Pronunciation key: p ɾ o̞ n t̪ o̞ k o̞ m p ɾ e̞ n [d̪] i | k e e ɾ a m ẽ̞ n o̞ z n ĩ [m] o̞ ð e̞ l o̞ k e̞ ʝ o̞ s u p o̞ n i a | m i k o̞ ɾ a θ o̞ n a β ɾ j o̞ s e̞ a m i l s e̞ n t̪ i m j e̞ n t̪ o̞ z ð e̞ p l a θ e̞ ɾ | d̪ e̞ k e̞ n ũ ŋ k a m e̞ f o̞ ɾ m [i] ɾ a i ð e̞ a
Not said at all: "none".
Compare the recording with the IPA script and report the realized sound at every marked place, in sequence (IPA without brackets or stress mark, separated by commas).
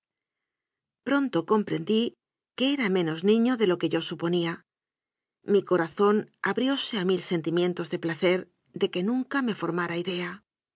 d̪, ɲ, a